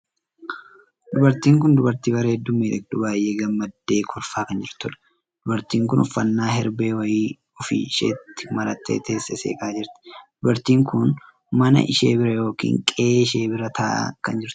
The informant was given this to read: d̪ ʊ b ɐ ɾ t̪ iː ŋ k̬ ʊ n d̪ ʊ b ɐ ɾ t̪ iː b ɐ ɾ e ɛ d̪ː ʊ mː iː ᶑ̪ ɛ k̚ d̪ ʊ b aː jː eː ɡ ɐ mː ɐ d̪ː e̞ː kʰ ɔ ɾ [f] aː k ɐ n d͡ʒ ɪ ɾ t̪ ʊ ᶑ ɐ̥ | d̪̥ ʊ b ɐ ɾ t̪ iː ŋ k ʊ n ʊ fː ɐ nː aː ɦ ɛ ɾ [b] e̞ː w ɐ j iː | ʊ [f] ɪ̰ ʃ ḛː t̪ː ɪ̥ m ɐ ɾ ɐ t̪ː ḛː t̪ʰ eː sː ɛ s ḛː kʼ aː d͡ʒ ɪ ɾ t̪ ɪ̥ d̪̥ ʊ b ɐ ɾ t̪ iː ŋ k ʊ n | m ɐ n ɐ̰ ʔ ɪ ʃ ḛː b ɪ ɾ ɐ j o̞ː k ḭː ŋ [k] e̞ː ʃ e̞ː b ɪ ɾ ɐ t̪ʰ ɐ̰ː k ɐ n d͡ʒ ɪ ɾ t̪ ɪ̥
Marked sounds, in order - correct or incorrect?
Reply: correct, correct, correct, incorrect: kʼ

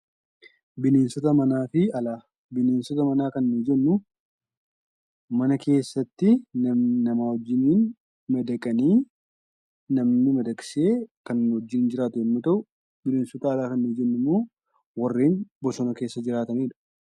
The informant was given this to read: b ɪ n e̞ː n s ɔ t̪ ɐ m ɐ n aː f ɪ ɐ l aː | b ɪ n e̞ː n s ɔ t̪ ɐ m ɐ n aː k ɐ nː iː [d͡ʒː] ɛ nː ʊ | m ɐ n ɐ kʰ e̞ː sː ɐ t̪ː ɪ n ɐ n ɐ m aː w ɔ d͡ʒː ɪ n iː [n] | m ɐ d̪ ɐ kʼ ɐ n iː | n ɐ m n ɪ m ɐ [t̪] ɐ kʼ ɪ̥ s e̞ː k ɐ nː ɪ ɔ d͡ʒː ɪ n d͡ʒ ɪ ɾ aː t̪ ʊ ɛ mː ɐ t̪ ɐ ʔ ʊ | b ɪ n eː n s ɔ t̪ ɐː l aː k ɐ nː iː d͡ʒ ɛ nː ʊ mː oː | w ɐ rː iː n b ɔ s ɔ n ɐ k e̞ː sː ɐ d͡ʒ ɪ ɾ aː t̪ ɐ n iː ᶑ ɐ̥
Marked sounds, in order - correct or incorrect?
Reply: incorrect: d͡ʒ, correct, incorrect: d̪

